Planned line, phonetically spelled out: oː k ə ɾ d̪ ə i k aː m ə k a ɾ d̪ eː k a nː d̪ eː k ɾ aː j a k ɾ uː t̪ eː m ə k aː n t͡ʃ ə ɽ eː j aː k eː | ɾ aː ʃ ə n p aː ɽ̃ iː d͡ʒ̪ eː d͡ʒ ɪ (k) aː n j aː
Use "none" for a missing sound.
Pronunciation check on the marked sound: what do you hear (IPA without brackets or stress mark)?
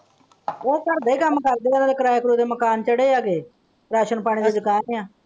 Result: k